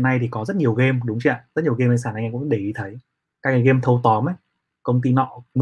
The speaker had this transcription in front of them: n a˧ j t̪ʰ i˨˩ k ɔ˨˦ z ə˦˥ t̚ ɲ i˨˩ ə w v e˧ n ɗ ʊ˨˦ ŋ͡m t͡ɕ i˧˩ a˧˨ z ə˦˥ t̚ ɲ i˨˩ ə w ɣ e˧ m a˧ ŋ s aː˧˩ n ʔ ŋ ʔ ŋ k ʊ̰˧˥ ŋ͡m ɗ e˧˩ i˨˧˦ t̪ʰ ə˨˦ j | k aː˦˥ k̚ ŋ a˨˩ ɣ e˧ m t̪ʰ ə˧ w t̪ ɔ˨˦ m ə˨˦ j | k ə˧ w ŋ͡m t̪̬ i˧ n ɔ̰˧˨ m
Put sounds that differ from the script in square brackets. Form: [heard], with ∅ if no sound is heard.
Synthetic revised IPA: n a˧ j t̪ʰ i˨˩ k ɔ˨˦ z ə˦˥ t̚ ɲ i˨˩ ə w [ɣ] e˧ [m] ɗ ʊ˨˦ ŋ͡m t͡ɕ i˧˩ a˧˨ z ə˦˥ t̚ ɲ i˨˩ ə w ɣ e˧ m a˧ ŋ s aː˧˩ n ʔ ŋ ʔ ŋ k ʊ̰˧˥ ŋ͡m ɗ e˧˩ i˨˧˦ t̪ʰ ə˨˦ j | k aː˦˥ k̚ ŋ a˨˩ ɣ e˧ m t̪ʰ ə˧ w t̪ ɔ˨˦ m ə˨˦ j | k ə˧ w ŋ͡m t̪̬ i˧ n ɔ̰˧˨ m